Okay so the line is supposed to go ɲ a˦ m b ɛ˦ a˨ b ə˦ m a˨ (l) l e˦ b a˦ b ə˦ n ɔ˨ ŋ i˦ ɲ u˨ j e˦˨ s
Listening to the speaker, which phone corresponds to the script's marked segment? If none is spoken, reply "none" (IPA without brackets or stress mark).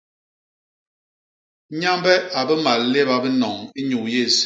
l